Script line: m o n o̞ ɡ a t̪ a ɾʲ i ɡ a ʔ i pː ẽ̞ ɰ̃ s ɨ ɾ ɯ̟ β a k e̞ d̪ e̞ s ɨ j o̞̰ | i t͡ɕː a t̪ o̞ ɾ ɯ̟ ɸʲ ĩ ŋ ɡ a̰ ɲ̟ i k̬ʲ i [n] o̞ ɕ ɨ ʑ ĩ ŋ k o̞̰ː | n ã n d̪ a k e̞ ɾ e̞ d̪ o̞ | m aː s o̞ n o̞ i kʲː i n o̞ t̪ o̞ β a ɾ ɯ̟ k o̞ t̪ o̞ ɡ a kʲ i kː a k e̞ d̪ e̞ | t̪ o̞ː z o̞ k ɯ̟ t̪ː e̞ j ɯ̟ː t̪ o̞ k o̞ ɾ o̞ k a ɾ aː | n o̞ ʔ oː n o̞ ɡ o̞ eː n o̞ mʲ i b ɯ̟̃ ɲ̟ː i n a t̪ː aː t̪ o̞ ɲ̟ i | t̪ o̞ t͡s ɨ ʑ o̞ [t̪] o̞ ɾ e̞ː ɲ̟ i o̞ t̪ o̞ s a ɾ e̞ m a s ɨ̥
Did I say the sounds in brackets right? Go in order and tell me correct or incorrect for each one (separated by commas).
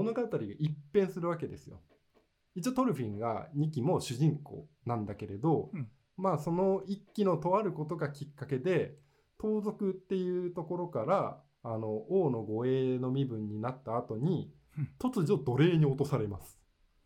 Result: incorrect, incorrect